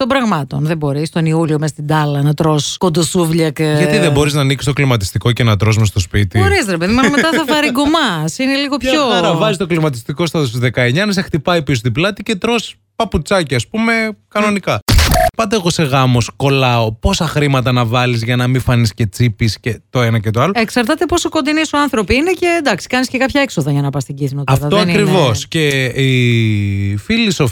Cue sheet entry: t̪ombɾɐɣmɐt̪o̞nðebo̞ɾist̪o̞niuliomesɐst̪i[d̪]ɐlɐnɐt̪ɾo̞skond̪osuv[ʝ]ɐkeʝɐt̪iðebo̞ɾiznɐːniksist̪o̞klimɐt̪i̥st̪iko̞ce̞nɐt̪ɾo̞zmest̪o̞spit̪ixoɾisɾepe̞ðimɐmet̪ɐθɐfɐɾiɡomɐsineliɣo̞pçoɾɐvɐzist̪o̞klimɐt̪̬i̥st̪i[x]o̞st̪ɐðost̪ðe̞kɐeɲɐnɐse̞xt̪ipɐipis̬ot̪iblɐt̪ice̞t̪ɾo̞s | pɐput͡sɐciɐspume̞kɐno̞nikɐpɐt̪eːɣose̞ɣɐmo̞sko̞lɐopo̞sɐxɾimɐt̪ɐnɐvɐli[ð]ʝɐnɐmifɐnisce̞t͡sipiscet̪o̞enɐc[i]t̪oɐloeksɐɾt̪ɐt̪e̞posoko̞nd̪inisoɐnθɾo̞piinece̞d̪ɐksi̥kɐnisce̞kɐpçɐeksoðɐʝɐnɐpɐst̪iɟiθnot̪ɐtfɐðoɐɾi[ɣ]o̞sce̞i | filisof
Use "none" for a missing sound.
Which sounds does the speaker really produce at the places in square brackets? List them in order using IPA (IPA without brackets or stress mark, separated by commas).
d̪, ʎ, k, z, e, v